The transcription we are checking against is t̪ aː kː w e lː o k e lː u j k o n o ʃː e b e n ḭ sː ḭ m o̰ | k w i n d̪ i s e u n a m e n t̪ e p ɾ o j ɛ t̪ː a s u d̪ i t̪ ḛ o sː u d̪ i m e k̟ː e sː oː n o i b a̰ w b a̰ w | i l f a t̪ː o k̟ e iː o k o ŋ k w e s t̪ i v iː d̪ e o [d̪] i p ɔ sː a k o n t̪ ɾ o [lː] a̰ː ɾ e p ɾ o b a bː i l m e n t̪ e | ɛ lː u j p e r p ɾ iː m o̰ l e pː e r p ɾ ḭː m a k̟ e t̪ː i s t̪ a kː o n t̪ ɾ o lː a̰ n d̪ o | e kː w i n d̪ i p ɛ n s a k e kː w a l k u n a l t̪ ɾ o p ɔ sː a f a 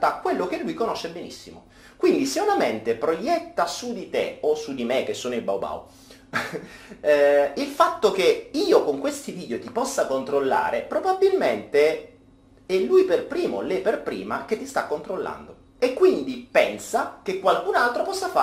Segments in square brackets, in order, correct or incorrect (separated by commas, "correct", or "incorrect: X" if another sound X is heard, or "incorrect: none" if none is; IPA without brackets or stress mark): incorrect: t̪, correct